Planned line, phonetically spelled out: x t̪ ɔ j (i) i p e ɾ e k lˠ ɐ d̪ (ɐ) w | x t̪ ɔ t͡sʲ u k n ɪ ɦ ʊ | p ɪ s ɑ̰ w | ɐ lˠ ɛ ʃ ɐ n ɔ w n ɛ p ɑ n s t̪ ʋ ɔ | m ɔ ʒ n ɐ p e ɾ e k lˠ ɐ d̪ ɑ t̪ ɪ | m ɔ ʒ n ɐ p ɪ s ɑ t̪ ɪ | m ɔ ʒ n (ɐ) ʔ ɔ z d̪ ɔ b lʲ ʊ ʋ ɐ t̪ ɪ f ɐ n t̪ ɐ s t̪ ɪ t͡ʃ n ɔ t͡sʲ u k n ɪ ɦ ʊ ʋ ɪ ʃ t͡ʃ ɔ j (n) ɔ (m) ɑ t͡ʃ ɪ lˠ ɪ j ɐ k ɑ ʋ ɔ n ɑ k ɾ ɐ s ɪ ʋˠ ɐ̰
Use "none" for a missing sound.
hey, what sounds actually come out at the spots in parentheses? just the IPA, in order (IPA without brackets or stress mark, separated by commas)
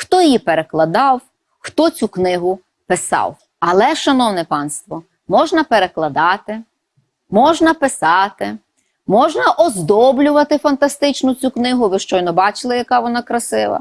j, ɑ, ɐ, n, b